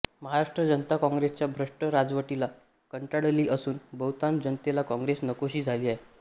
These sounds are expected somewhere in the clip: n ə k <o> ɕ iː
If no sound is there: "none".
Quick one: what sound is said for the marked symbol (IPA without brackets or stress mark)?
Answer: o